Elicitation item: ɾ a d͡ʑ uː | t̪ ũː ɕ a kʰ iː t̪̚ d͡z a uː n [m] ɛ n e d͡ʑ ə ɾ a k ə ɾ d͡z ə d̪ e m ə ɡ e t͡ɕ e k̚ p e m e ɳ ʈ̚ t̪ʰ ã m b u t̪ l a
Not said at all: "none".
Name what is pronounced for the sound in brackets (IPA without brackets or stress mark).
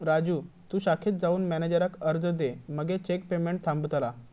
m